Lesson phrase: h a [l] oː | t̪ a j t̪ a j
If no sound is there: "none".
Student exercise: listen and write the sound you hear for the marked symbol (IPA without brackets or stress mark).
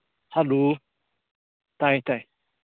l